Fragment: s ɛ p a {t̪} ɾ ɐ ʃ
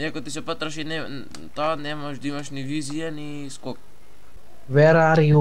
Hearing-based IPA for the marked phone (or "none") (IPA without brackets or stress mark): t̪